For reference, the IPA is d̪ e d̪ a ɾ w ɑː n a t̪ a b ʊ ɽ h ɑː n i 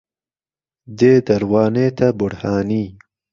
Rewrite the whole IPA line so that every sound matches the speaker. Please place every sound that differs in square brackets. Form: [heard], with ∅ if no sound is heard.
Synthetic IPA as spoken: d̪ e d̪ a ɾ w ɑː n [e] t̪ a b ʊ ɽ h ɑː n i